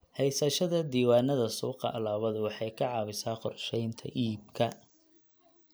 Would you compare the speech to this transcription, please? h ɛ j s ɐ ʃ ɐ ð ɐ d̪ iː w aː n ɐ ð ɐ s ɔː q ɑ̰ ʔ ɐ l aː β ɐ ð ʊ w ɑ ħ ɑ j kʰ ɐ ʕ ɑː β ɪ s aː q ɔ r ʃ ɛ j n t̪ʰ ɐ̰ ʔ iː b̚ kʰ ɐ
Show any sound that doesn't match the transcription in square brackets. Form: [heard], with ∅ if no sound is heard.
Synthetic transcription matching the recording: h ɛ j s ɐ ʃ ɐ ð ɐ d̪ iː w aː n ɐ ð ɐ s [uː] q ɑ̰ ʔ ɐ l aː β ɐ ð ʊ w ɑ ħ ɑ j kʰ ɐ ʕ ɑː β ɪ s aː q ɔ r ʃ ɛ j n t̪ʰ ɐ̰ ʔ iː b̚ kʰ ɐ